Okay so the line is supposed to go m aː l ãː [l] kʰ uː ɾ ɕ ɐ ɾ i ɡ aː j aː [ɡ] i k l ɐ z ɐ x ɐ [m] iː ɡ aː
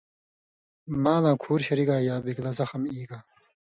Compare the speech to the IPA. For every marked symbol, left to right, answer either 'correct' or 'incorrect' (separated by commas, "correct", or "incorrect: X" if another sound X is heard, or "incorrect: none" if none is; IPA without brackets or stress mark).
incorrect: none, incorrect: b, correct